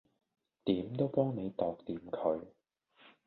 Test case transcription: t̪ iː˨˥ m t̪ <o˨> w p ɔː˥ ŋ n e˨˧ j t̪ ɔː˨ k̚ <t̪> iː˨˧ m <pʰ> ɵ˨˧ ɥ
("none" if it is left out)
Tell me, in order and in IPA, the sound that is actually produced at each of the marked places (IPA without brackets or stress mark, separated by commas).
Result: o˥, t̪, kʰ